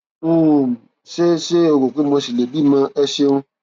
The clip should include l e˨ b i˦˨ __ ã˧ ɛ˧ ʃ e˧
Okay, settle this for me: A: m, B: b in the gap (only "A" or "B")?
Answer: A